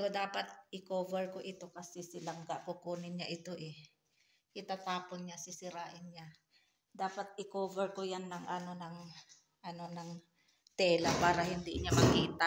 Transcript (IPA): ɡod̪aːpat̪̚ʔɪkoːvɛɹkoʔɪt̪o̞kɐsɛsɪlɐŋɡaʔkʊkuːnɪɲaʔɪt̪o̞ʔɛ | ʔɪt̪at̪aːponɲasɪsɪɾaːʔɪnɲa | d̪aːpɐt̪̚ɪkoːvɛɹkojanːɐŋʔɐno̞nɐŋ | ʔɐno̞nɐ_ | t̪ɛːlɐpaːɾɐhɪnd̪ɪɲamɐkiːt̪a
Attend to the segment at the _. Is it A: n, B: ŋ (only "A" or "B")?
B